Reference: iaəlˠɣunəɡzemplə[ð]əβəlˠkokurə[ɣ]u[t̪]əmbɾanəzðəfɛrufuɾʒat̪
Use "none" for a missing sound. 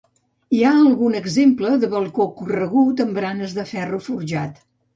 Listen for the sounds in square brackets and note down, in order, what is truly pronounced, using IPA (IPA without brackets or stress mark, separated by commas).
ð, ɣ, t̪